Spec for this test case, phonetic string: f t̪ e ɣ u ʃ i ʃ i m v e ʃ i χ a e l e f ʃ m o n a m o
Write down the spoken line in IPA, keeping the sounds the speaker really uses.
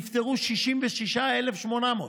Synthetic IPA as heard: f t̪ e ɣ u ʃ i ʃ i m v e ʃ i ʃ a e l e f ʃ m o n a m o